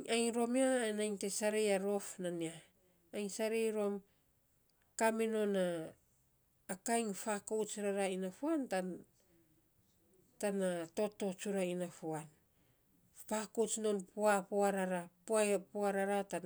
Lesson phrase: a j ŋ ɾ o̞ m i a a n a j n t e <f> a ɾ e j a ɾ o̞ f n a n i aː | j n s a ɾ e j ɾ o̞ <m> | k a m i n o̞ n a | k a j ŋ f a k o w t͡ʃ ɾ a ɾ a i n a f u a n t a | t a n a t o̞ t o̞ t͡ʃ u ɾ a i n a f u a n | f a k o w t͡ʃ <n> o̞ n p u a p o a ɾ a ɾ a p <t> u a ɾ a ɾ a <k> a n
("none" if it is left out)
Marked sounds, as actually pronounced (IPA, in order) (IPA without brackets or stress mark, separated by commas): s, m, n, p, t